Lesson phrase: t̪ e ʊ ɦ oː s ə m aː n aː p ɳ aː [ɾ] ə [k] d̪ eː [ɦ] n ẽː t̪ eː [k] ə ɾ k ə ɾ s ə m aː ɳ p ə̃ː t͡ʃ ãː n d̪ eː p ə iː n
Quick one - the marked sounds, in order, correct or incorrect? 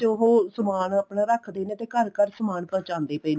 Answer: correct, incorrect: kʰ, incorrect: none, correct

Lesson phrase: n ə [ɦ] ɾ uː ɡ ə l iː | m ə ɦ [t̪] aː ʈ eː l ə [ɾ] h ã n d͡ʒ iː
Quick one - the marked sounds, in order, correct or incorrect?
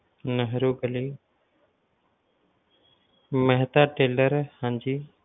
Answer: correct, correct, correct

